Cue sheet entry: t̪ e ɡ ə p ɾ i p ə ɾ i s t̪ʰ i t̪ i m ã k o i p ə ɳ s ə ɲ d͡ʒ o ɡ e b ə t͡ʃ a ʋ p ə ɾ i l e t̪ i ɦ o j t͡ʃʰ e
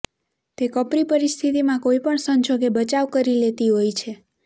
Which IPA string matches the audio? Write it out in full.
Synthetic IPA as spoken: t̪ e k ə p ɾ i p ə ɾ i s t̪ʰ i t̪ i m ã k o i p ə ɳ s ə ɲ d͡ʒ o ɡ e b ə t͡ʃ a ʋ k ə ɾ i l e t̪ i ɦ o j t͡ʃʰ e